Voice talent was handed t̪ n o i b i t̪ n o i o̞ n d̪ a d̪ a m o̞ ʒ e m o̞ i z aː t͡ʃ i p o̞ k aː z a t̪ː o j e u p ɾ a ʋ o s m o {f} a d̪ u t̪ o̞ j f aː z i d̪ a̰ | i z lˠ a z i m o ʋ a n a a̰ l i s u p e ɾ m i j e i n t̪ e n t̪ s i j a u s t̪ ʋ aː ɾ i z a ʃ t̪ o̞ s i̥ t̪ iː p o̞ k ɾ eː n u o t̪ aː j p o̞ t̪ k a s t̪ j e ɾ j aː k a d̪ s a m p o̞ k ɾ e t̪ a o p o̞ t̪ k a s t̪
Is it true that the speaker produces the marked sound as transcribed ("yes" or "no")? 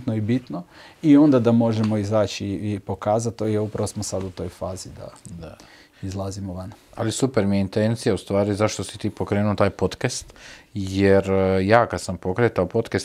no